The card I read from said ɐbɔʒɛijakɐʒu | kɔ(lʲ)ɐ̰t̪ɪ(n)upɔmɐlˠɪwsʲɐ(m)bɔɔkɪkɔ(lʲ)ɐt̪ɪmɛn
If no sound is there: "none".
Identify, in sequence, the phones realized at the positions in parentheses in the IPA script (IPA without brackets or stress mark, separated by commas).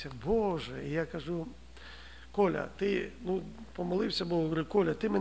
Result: lʲ, n, none, lʲ